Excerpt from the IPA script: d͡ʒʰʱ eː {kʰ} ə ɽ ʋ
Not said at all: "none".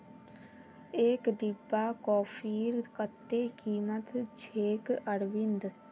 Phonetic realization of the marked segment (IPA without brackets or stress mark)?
k